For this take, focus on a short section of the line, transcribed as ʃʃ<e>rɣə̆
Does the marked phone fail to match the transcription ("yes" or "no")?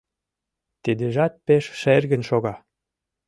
no